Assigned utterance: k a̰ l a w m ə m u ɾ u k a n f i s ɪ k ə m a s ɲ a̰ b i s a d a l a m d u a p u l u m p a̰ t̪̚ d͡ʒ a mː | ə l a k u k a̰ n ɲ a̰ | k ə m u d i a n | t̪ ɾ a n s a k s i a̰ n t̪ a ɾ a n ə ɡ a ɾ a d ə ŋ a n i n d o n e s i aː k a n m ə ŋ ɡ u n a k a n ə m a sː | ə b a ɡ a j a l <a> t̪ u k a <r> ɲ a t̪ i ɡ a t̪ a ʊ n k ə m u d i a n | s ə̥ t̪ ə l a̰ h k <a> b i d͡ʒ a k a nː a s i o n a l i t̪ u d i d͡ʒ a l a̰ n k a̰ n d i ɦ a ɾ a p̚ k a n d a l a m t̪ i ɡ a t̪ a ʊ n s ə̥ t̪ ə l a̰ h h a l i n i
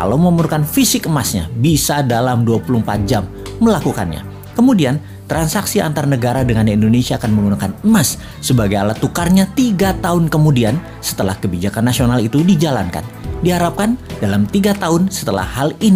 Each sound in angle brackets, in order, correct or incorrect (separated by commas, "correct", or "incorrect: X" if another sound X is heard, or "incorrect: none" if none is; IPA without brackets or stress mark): correct, correct, incorrect: ə